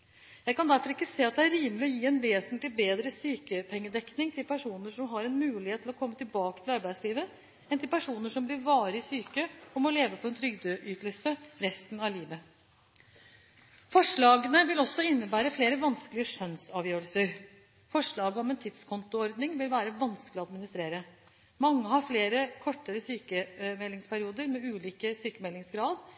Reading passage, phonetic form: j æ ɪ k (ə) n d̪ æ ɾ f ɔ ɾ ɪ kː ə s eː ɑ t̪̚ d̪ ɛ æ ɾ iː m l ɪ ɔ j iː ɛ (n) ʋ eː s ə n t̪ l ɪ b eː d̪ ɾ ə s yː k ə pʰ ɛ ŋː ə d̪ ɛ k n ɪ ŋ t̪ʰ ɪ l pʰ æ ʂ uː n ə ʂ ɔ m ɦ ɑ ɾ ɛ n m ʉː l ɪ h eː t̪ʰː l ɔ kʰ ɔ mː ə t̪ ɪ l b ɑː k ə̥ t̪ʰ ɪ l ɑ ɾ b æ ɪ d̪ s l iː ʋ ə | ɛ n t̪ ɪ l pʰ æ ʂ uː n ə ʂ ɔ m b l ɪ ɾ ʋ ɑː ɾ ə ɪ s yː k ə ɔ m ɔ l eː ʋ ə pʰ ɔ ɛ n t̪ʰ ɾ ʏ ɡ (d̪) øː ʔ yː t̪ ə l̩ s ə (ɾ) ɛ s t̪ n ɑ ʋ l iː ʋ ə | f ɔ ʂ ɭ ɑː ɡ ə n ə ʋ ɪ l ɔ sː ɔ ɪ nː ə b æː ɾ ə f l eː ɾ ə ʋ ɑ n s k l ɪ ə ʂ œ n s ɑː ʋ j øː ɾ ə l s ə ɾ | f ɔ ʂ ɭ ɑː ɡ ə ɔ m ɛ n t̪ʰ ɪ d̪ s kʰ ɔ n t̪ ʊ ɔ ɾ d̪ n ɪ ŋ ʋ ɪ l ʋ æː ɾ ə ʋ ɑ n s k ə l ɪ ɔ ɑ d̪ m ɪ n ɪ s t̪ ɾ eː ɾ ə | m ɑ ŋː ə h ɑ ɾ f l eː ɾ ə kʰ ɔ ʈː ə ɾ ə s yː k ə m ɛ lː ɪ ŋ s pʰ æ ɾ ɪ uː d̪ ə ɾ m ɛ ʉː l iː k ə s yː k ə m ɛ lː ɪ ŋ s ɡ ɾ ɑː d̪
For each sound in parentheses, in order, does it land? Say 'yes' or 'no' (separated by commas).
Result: no, yes, yes, yes